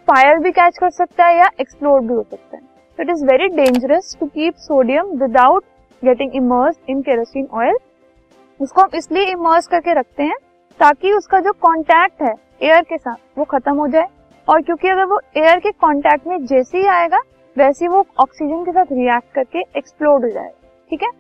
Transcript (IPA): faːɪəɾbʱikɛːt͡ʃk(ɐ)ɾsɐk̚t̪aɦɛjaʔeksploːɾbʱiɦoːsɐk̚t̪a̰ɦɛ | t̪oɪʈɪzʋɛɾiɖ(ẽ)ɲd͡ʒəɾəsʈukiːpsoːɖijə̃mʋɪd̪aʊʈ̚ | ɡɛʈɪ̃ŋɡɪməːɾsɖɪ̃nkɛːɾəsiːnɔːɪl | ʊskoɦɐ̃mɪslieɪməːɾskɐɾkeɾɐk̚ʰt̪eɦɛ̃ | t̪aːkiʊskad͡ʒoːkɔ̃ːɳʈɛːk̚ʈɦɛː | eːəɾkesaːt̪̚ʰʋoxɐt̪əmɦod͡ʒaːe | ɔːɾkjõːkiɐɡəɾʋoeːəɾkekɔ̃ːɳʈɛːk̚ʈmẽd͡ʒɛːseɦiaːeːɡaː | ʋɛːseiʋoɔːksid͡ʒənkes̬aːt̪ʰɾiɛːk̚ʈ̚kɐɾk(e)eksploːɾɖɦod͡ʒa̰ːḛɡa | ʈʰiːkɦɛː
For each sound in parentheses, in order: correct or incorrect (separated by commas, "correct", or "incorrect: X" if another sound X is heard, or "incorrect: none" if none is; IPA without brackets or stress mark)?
correct, incorrect: ẽː, correct